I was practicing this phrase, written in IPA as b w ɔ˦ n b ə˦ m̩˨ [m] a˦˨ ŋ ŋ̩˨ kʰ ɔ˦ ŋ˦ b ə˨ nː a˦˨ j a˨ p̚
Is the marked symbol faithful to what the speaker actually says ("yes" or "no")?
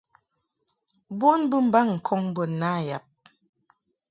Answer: no